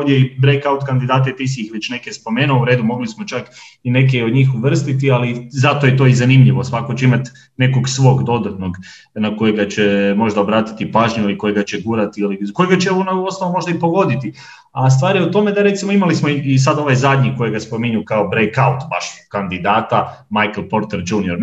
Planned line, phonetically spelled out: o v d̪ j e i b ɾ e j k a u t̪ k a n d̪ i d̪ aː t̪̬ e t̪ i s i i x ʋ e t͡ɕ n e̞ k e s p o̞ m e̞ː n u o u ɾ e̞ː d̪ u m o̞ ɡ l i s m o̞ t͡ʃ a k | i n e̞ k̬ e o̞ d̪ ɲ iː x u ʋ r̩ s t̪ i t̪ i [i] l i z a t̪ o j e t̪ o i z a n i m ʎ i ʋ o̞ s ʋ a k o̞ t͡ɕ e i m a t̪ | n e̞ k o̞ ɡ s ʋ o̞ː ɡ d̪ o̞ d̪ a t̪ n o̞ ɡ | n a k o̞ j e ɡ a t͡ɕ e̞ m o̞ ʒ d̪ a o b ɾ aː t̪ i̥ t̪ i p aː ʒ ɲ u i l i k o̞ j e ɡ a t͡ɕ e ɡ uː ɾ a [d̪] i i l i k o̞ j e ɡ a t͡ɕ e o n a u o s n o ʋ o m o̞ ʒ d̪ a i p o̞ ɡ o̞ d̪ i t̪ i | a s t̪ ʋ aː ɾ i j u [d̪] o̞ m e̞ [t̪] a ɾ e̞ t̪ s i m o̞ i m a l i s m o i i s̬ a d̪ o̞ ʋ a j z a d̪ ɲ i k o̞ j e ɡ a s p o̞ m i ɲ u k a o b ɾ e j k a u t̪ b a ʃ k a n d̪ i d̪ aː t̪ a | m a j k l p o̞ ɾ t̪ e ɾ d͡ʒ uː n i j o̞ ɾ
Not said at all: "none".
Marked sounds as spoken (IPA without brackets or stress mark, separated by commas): a, t̪, t̪, d̪